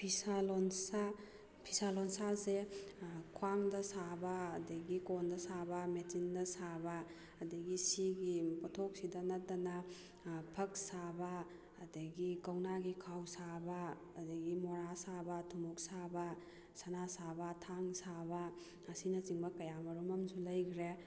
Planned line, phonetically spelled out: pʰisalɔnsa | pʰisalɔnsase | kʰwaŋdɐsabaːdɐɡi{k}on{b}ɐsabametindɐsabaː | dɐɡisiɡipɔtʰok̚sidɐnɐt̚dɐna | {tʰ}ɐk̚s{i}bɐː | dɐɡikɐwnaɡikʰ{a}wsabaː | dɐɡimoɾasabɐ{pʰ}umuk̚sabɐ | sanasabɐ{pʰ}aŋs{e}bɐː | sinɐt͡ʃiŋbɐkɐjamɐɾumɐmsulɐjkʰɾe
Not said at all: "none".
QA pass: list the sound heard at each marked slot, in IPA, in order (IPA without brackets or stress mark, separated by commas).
k, d, pʰ, a, a, tʰ, tʰ, a